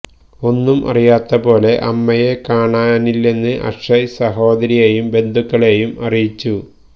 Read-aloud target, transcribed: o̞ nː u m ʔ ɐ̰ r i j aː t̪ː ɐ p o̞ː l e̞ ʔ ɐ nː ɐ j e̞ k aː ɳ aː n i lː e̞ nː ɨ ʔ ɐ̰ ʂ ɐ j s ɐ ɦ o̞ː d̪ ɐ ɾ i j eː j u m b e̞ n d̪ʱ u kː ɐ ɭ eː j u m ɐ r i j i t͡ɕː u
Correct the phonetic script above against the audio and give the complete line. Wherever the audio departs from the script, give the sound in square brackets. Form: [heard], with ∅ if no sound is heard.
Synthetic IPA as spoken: o̞ nː u m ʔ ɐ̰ r i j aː t̪ː ɐ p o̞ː l e̞ ʔ ɐ [mː] ɐ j e̞ k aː ɳ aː n i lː e̞ nː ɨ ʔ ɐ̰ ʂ ɐ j s ɐ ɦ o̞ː d̪ ɐ ɾ i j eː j u m b e̞ n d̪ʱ u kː ɐ ɭ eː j u m ɐ r i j i t͡ɕː u